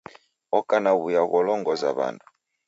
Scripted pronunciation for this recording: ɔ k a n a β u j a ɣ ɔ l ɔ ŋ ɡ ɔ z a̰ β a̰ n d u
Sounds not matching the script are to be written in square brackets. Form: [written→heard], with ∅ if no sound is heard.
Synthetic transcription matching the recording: ɔ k a n a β u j a ɣ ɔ l ɔ ŋ ɡ ɔ z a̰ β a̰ n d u